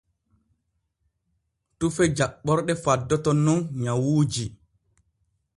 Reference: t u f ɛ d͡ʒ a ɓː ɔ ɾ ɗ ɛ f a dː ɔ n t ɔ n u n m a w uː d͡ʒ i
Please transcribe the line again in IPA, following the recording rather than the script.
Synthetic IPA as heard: t u f ɛ d͡ʒ a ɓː ɔ ɾ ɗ ɛ f a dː ɔ t ɔ n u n ɲ a w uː d͡ʒ i